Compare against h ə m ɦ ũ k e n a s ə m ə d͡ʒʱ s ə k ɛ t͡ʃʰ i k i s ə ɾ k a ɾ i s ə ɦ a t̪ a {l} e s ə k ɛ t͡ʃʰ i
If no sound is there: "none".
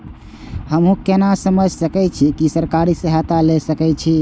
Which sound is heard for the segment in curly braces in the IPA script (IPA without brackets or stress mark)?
l